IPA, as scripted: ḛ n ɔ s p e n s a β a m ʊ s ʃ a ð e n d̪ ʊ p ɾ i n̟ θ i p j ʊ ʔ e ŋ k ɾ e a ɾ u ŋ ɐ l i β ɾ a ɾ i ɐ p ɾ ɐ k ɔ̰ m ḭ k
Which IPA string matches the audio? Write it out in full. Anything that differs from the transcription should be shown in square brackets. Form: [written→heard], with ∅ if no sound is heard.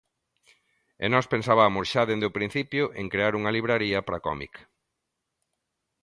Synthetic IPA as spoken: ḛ n ɔ s p e n s a β a m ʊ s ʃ a ð e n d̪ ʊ p ɾ i n̟ θ i p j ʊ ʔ e ŋ k ɾ e a ɾ u ŋ ɐ l i β ɾ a ɾ i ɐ p ɾ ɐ k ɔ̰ m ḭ k